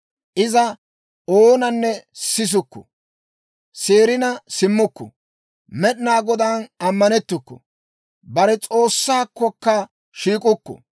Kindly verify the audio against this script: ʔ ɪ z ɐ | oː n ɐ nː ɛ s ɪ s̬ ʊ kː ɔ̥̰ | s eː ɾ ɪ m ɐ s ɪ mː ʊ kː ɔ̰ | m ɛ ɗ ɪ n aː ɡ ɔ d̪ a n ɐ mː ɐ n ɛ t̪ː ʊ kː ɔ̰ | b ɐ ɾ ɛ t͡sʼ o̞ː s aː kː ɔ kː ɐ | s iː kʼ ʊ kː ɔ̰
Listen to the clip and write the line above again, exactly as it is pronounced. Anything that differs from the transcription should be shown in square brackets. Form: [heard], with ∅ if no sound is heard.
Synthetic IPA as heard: ʔ ɪ z ɐ | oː n ɐ nː ɛ s ɪ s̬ ʊ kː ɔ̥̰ | s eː ɾ ɪ [n] ɐ s ɪ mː ʊ kː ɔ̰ | m ɛ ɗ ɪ n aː ɡ ɔ d̪ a n ɐ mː ɐ n ɛ t̪ː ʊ kː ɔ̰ | b ɐ ɾ ɛ t͡sʼ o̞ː [sː] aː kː ɔ kː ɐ | [ʃ] iː kʼ ʊ kː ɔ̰